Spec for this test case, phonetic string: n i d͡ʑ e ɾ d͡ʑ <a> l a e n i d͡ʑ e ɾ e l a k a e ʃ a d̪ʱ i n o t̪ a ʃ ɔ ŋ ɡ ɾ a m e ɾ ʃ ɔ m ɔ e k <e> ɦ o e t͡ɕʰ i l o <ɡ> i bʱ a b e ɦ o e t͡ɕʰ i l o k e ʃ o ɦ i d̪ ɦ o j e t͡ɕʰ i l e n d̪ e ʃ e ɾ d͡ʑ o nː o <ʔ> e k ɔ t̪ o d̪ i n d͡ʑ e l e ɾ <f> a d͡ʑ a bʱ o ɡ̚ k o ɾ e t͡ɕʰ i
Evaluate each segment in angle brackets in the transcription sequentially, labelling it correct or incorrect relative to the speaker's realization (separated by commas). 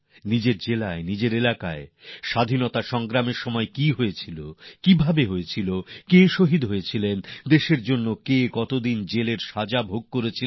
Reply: incorrect, incorrect, incorrect, incorrect, incorrect